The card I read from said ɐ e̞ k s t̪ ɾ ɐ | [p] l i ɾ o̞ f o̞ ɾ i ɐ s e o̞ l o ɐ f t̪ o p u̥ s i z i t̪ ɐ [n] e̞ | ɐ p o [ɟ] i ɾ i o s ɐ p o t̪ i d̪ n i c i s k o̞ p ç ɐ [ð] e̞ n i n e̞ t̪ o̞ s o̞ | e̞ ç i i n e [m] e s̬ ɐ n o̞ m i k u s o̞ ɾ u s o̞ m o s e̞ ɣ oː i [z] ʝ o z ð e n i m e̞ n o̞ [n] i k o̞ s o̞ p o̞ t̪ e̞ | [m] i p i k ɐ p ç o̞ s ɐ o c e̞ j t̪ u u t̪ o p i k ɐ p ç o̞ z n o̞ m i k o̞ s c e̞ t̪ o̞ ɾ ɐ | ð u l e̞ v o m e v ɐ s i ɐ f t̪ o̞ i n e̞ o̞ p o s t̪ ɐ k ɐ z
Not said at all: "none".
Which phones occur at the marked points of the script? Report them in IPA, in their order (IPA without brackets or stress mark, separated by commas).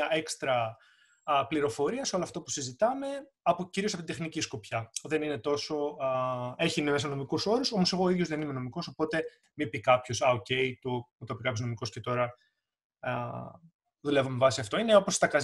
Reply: p, m, c, ð, m, ð, m, m